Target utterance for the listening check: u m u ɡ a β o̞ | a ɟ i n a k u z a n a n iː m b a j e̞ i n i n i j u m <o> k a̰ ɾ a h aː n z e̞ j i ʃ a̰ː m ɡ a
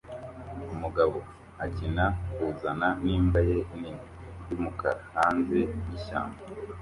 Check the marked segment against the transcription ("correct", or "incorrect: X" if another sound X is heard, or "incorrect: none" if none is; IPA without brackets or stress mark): incorrect: u